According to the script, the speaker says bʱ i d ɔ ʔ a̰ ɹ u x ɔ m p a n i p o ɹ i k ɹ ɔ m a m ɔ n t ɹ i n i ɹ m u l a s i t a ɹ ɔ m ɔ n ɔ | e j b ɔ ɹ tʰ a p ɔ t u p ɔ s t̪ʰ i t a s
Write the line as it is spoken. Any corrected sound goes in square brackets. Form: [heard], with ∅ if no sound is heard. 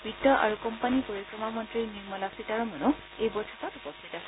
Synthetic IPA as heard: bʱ i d ɔ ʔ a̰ ɹ u [k] ɔ m p a n i p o ɹ i k ɹ ɔ m a m ɔ n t ɹ i n i ɹ m [ɔ] l a s i t a ɹ ɔ m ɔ n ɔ | e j b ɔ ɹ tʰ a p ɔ t u p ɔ s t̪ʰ i t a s